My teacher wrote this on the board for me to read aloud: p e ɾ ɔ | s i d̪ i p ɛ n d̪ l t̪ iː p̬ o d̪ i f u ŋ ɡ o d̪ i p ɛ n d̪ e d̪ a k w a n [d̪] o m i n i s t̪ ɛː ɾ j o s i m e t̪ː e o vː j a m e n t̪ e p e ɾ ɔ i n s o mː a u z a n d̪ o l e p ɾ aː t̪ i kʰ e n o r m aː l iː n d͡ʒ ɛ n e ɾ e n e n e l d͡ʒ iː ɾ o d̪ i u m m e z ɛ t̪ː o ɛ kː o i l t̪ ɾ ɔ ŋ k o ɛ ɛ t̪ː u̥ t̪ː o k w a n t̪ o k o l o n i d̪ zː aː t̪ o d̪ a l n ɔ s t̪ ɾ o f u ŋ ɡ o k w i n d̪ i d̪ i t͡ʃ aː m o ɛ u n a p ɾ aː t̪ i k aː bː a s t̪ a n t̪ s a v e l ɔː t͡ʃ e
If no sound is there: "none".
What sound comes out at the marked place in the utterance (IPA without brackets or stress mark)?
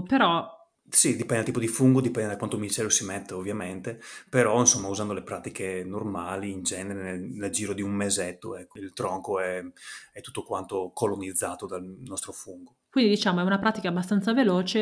t̪